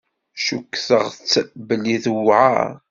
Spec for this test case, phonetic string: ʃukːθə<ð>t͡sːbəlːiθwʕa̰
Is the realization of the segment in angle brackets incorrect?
yes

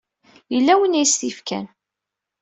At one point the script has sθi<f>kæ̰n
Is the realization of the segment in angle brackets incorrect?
no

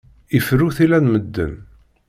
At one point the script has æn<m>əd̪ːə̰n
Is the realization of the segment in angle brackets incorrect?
no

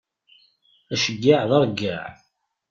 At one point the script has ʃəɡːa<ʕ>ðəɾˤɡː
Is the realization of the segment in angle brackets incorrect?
no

